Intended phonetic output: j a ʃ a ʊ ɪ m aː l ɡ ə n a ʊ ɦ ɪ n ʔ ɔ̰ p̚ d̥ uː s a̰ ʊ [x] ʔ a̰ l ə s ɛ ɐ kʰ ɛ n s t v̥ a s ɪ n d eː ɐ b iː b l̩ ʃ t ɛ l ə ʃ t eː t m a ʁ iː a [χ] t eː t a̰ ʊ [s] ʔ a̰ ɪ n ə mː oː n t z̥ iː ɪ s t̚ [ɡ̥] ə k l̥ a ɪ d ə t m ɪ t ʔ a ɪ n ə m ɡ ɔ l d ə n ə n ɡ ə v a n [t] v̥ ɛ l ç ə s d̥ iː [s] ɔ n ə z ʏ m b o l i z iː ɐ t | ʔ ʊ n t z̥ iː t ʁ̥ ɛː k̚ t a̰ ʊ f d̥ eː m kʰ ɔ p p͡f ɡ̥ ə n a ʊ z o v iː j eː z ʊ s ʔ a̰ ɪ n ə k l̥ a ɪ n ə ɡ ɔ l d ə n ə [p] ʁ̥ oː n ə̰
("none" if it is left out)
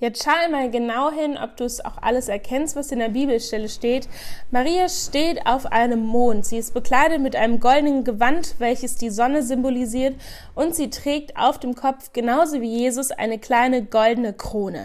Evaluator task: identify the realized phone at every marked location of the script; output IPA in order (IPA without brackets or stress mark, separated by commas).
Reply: x, ʃ, f, b̥, t, z, k